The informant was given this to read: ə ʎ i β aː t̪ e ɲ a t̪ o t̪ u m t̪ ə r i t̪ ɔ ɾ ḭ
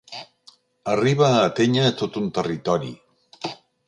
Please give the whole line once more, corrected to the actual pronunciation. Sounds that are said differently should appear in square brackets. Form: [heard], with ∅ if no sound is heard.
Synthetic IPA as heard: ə [r] i β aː t̪ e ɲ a t̪ o t̪ u [n] t̪ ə r i t̪ ɔ ɾ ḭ

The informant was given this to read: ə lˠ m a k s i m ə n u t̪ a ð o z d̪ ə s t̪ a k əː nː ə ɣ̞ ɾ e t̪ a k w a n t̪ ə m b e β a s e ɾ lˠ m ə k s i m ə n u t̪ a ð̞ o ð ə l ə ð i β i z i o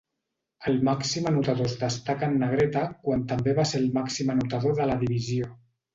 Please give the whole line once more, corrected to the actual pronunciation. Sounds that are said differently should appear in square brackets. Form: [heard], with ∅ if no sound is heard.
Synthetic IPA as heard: ə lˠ m a k s i m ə n u t̪ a ð o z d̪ ə s t̪ a k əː nː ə ɣ̞ ɾ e t̪ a k w a n t̪ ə m b e β a s e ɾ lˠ m [a] k s i m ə n u t̪ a ð̞ o ð ə l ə ð i β i z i o

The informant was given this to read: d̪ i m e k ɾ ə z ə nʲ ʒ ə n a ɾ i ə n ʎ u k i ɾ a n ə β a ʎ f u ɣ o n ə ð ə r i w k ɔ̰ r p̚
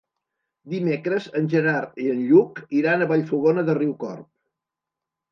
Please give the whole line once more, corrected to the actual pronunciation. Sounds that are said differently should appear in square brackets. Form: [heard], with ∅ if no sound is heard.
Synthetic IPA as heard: d̪ i m e k ɾ ə z ə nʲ ʒ ə n a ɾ i ə n ʎ u k i ɾ a n ə β a ʎ f u ɣ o n ə ð ə r i w k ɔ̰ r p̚

